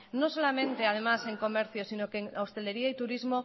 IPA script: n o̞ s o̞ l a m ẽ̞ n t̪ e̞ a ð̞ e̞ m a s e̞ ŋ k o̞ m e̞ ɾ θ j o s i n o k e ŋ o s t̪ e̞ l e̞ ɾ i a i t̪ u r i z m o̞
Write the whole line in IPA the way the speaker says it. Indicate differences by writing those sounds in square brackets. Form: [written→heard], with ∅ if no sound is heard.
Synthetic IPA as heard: n o̞ s o̞ l a m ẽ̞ n t̪ e̞ a ð̞ e̞ m a s e̞ ŋ k o̞ m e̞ ɾ θ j o s i n o k e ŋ o s t̪ e̞ l e̞ ɾ i a i t̪ u [r→ɾ] i z m o̞